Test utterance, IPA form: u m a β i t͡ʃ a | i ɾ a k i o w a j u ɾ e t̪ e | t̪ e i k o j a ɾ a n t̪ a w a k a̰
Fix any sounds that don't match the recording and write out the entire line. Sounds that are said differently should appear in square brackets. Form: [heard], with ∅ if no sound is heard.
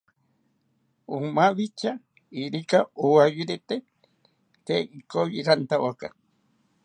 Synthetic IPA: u m a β i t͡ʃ a | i ɾ [i] k [a] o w a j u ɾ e t̪ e | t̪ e i k o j [i] ɾ a n t̪ a w a k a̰